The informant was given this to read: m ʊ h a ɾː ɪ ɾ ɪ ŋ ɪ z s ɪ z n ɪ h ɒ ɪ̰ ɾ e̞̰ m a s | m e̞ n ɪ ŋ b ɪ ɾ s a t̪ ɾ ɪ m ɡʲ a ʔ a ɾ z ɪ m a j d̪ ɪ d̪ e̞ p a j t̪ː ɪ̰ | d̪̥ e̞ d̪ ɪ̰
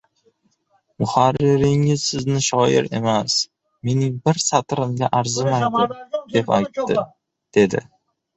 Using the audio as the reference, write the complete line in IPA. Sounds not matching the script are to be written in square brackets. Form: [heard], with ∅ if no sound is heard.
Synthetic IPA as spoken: m ʊ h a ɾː ɪ ɾ ɪ ŋ ɪ z s ɪ z n ɪ [ʃ] ɒ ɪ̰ ɾ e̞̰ m a s | m e̞ n ɪ ŋ b ɪ ɾ s a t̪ ɾ ɪ m ɡʲ a ʔ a ɾ z ɪ m a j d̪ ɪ d̪ e̞ p a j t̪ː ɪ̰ | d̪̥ e̞ d̪ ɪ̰